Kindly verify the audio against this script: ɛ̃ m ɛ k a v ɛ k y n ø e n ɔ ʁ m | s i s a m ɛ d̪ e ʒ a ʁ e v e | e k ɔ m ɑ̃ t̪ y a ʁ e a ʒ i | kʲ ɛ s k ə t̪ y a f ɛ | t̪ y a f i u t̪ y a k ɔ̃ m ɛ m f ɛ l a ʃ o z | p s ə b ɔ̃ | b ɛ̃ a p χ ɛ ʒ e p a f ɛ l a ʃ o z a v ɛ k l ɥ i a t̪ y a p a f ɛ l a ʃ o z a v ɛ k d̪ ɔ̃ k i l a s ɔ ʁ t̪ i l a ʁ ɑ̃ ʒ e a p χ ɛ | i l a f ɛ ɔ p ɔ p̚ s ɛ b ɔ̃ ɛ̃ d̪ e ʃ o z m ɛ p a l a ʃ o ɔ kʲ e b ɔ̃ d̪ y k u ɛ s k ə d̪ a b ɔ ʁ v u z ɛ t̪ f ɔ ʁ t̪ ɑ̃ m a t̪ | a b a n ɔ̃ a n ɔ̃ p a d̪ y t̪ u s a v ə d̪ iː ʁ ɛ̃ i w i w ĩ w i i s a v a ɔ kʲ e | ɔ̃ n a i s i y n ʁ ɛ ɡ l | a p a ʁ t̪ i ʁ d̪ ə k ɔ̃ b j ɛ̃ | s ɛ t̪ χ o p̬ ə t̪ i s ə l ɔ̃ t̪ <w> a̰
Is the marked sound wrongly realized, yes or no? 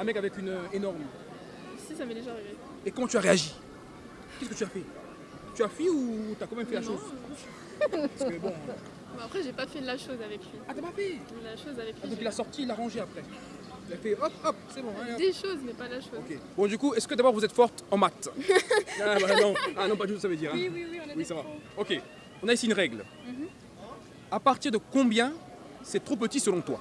no